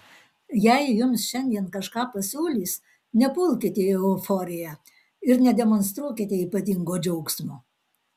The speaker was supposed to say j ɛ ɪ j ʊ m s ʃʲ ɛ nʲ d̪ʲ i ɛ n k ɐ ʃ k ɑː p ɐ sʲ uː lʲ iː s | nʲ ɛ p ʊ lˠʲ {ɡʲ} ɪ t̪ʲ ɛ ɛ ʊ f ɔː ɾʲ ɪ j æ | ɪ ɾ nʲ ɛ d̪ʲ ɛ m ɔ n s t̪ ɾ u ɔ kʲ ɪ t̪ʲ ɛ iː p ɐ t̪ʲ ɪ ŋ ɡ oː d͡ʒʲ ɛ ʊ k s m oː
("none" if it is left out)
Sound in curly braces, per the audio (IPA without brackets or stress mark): kʲ